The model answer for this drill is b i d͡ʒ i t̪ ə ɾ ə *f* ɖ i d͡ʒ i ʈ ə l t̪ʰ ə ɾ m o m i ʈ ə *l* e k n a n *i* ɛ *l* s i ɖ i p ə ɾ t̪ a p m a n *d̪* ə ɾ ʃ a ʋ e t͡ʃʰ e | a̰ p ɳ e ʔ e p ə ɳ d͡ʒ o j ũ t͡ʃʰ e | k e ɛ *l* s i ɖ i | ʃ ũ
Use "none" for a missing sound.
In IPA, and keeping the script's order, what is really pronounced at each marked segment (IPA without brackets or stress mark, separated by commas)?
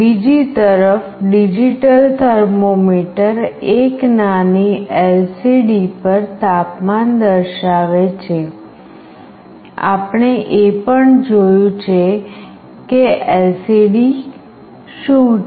f, ɾ, i, l, d̪, l